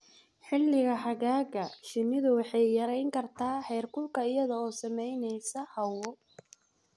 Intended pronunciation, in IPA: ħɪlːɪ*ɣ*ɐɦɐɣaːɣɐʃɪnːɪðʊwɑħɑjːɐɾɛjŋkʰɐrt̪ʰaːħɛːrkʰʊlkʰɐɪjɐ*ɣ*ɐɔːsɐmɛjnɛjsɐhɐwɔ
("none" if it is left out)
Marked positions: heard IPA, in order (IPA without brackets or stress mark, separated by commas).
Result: ɣ, ð